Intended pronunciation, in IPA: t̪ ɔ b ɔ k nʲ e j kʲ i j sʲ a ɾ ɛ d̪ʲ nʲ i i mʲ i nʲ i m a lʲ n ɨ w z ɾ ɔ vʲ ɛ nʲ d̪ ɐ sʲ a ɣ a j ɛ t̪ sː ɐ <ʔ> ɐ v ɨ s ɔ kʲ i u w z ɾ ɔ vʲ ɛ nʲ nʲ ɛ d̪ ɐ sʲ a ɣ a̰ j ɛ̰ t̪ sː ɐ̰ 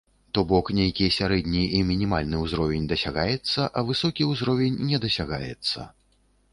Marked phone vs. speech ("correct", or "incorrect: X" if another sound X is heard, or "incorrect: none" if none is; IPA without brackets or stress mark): correct